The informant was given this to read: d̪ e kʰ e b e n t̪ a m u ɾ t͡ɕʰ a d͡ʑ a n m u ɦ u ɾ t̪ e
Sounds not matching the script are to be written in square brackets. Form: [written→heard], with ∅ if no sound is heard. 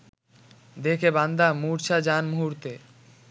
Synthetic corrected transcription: d̪ e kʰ e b [e→a] n [t̪→d̪] a m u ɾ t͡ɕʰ a d͡ʑ a n m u ɦ u ɾ t̪ e

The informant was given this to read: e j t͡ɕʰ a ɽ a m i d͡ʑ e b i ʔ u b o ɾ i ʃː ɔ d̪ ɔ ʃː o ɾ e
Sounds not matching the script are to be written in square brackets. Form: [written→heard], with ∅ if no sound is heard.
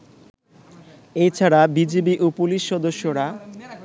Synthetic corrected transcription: e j t͡ɕʰ a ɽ a [m→b] i d͡ʑ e b i ʔ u [b→p] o [ɾ→l] i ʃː ɔ d̪ [ɔ→o] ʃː o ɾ [e→a]

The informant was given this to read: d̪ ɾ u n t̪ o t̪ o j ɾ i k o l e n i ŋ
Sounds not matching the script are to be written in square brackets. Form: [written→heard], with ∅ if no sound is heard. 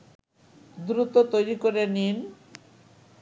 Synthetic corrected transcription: d̪ ɾ u [n→∅] t̪ o t̪ o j ɾ i k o [l→ɾ] e n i [ŋ→n]

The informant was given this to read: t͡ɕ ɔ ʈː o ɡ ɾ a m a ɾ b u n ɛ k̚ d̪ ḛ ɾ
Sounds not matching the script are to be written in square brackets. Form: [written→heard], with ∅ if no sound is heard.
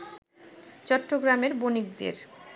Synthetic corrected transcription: t͡ɕ ɔ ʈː o ɡ ɾ a m [a→e] ɾ b [u→o] n [ɛ→i] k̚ d̪ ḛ ɾ

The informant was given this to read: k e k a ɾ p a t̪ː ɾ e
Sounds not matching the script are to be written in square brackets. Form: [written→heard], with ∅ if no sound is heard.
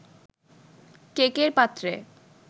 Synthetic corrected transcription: k e k [a→e] ɾ p a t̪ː ɾ e

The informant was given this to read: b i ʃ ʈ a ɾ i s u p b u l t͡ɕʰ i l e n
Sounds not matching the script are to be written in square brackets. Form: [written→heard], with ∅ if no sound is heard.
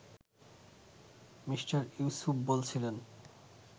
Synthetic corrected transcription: [b→m] i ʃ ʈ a ɾ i s u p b [u→o] l t͡ɕʰ i l e n

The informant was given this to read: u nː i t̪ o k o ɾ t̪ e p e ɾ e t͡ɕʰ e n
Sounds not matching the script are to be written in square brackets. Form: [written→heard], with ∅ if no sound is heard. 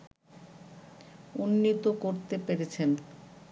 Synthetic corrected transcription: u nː i t̪ o k o ɾ t̪ e p e ɾ e t͡ɕʰ e n

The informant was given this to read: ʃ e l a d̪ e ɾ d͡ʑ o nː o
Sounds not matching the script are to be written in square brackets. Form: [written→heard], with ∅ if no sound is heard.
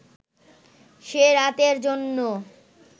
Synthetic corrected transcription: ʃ e [l→ɾ] a [d̪→t̪] e ɾ d͡ʑ o nː o

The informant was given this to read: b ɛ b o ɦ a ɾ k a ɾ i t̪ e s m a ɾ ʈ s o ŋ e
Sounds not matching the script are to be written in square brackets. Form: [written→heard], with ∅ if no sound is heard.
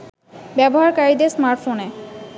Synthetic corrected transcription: b ɛ b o ɦ a ɾ k a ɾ i [t̪→d̪] e s m a ɾ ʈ [s→f] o [ŋ→n] e

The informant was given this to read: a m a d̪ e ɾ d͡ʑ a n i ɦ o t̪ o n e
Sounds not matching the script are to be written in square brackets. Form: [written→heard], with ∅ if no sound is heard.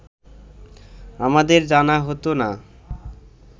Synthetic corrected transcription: a m a d̪ e ɾ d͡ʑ a n [i→a] ɦ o t̪ o n [e→a]

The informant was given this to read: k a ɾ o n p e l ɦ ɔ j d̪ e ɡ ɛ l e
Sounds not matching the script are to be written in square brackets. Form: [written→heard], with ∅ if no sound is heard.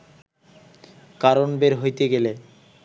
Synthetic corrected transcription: k a ɾ o n [p→b] e [l→ɾ] ɦ [ɔ→o] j [d̪→t̪] e ɡ [ɛ→e] l e

